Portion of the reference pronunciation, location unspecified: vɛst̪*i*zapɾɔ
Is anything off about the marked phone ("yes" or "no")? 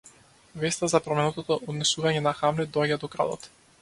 yes